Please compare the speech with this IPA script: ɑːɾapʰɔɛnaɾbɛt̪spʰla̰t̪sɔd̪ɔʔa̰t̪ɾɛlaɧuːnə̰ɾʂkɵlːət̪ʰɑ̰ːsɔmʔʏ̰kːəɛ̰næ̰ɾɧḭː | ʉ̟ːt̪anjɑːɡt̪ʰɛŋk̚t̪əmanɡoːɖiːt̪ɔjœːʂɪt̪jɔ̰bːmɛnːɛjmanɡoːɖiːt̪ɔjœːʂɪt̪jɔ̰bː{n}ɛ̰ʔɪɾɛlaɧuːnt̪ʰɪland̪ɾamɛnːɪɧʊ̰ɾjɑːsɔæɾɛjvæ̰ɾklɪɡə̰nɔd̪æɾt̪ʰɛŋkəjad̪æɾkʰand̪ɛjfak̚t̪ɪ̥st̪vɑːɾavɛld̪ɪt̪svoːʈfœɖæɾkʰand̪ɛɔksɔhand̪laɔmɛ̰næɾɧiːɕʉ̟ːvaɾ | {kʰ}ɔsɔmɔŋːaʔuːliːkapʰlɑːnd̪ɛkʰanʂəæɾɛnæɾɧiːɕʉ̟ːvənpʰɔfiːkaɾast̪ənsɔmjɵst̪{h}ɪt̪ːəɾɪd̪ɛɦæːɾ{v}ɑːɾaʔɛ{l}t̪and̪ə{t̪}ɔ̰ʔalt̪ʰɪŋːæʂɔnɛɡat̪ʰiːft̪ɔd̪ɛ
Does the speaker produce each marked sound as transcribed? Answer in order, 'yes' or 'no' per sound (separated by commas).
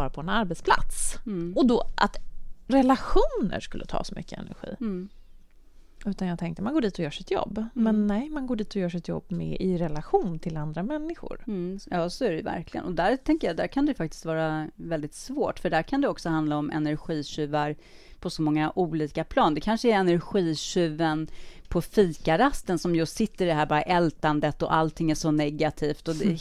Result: no, no, no, no, yes, yes